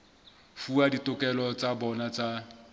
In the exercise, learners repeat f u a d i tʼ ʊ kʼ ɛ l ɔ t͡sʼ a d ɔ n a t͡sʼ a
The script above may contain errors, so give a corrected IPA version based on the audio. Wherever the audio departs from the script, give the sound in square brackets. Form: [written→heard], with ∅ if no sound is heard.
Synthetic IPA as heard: f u a d i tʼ ʊ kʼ ɛ l ɔ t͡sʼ a [d→b] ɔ n a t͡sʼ a